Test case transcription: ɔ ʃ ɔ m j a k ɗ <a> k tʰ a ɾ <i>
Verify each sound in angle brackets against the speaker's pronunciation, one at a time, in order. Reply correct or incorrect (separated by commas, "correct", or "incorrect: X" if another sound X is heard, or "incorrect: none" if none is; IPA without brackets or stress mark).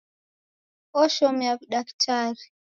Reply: correct, correct